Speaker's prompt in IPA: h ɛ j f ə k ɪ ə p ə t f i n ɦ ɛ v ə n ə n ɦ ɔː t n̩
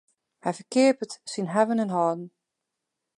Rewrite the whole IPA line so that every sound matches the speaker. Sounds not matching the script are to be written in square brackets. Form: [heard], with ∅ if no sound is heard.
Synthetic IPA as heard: h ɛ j f ə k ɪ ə p ə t [s] i n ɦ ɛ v ə n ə n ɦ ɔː [d] n̩